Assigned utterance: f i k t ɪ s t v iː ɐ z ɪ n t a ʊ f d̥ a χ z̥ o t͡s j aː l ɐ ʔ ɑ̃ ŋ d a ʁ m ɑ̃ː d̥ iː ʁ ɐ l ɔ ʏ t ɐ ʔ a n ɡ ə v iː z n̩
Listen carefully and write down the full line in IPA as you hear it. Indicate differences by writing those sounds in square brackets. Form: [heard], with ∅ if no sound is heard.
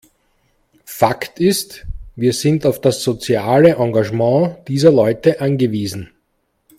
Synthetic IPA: f [a] k t ɪ s t v iː ɐ z ɪ n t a ʊ f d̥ a [s] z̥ o t͡s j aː l [ə] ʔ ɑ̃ ŋ [ɡ] a [ʒ] m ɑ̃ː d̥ iː [z] ɐ l ɔ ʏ t [ə] ʔ a n ɡ ə v iː z n̩